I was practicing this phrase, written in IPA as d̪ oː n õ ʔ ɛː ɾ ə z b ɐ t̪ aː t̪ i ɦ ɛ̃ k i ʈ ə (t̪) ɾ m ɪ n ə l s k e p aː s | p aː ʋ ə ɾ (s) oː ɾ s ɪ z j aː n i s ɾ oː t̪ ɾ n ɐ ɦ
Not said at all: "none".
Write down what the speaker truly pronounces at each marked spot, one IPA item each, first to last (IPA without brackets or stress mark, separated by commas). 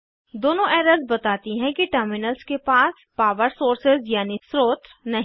none, s